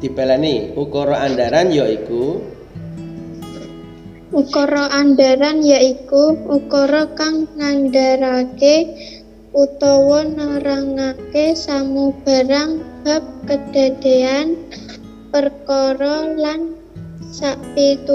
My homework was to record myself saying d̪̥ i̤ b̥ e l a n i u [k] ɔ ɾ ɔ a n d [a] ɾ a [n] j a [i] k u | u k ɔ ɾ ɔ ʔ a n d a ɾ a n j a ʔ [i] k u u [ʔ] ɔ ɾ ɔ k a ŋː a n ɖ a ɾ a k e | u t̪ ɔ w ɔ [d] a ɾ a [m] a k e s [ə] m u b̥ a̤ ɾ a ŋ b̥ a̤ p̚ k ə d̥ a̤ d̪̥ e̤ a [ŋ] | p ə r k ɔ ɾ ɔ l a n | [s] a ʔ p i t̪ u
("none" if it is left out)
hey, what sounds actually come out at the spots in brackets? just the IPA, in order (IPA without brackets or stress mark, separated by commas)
k, a, n, i, i, k, n, ŋ, a, n, s